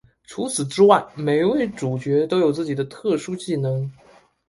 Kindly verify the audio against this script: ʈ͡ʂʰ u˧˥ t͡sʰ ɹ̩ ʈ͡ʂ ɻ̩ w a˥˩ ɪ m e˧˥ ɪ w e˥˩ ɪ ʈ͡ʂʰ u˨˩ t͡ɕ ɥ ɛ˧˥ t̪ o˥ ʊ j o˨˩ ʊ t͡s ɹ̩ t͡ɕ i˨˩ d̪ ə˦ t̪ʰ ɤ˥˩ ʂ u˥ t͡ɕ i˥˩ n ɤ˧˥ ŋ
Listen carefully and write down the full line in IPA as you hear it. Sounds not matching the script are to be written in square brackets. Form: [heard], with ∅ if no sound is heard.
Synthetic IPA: ʈ͡ʂʰ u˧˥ t͡sʰ ɹ̩ ʈ͡ʂ ɻ̩ w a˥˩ ɪ m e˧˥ ɪ w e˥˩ ɪ [ʈ͡ʂ] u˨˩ t͡ɕ ɥ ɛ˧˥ t̪ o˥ ʊ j o˨˩ ʊ t͡s ɹ̩ t͡ɕ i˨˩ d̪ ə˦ t̪ʰ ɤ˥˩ ʂ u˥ t͡ɕ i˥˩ n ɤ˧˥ ŋ